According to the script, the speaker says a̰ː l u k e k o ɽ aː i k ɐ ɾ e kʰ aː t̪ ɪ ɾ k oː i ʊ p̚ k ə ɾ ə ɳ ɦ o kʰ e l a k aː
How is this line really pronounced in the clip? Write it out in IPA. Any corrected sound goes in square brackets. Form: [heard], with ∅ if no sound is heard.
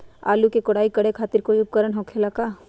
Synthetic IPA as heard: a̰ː l u k e k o ɽ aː i k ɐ [ɽ] e kʰ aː t̪ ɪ ɾ k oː i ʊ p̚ k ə ɾ ə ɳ ɦ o kʰ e l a k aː